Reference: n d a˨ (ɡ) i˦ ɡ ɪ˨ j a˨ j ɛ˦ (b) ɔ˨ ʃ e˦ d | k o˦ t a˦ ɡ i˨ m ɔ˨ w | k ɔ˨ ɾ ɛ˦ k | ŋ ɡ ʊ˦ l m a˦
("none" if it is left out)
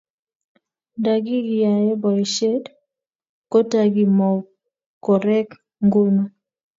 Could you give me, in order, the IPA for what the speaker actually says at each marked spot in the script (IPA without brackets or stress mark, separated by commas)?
ɡ, b